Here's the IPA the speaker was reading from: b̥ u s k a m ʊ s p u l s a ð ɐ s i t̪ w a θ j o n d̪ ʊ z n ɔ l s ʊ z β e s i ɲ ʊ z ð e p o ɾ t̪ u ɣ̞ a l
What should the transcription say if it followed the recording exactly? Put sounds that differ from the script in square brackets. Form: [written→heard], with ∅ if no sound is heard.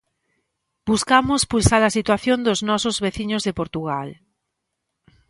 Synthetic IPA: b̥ u s k a m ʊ s p u l s a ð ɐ s i t̪ w a θ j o n d̪ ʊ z n ɔ [l→∅] s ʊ z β e [s→θ] i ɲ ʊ z ð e p o ɾ t̪ u ɣ̞ a l